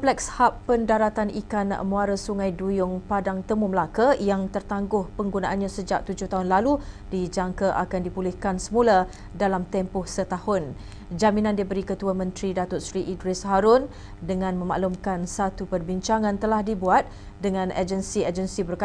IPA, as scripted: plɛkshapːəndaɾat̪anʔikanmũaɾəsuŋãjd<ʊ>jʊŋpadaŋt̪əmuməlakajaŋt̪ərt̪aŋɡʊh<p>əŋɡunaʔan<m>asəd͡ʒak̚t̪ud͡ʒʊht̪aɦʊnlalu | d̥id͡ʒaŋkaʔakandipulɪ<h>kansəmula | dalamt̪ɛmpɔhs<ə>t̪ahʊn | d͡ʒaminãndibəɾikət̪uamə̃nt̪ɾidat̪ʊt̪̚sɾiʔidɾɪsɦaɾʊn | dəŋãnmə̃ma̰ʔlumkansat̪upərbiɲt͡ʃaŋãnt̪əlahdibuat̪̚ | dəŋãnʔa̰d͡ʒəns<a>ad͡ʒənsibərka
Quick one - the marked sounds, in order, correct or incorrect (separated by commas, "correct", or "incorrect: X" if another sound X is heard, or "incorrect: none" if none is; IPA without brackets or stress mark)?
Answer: incorrect: u, correct, incorrect: ɲ, correct, correct, incorrect: i